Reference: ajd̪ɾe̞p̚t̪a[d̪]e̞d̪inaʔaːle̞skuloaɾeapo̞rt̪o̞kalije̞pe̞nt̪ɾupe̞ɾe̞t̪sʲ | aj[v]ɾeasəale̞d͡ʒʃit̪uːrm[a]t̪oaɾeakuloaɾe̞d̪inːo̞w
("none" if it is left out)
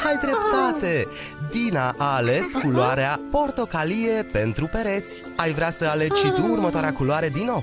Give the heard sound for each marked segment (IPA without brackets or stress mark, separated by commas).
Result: t̪, v, ə